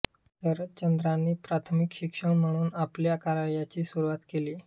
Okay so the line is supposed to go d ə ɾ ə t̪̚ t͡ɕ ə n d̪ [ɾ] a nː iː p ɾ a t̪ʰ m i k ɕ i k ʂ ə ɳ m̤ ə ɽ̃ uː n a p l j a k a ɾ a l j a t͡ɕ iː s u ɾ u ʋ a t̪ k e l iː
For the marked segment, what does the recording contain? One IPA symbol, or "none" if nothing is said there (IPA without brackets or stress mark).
ɾ